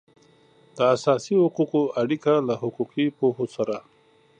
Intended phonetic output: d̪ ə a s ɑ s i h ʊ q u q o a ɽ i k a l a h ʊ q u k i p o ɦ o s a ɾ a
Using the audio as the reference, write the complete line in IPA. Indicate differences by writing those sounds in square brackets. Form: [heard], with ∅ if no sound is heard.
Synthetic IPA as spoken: d̪ ə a s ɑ s i h ʊ q u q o a ɽ i k a l a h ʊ q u [q] i p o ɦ o s a ɾ a

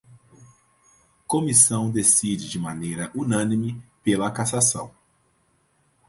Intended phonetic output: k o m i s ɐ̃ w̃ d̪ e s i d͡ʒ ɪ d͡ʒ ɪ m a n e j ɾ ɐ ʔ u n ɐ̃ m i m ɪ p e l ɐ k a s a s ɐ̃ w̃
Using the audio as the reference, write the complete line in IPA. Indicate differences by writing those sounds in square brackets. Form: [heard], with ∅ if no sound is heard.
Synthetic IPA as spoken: k o m i s ɐ̃ w̃ d̪ e s i d͡ʒ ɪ d͡ʒ ɪ m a n e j ɾ ɐ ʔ u n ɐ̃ [n] i m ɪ p e l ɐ k a s a s ɐ̃ w̃

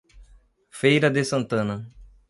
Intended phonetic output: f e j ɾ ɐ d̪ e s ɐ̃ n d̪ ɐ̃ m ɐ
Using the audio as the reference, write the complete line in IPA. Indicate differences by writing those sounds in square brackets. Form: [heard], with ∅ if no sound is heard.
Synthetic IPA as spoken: f e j ɾ ɐ d̪ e s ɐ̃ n [t̪] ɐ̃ [n] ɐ

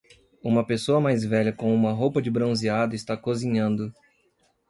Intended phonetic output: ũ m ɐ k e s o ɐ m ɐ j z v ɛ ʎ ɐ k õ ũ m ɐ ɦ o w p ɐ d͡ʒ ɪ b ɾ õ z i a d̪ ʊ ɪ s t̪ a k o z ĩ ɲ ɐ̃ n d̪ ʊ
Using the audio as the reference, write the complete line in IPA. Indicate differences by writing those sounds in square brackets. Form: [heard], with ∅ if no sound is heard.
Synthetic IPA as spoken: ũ m ɐ [p] e s o ɐ m [a] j z v ɛ ʎ ɐ k õ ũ m ɐ ɦ o w p ɐ d͡ʒ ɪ b ɾ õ z i a d̪ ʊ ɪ s t̪ a k o z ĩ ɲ ɐ̃ n d̪ ʊ

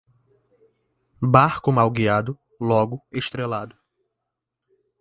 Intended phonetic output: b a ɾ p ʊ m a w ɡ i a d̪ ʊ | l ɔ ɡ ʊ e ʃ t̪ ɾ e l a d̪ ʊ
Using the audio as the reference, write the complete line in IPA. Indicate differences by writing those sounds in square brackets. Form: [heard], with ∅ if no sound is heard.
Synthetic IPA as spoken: b a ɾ [k] ʊ m a w ɡ i a d̪ ʊ | l ɔ ɡ ʊ e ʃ t̪ ɾ e l a d̪ ʊ

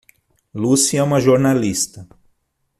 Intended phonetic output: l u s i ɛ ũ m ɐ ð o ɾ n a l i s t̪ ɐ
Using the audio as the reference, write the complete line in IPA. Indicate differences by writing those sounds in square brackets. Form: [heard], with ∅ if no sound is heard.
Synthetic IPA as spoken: l u s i ɛ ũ m ɐ [ʒ] o ɾ n a l i s t̪ ɐ

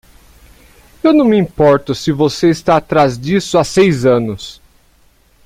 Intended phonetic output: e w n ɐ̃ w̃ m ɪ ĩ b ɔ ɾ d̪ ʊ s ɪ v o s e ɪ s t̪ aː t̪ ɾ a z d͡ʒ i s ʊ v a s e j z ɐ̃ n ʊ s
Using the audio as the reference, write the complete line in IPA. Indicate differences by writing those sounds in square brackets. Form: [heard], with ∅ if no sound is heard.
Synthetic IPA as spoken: e w n ɐ̃ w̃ m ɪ ĩ [p] ɔ ɾ [t̪] ʊ s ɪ v o s e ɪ s t̪ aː t̪ ɾ a z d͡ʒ i s ʊ [∅] a s e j z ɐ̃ n ʊ s

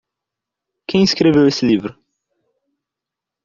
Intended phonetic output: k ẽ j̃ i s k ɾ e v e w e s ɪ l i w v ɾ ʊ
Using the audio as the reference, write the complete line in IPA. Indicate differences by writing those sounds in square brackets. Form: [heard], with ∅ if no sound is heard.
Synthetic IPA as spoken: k ẽ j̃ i s k ɾ e v e w e s ɪ l i [∅] v ɾ ʊ

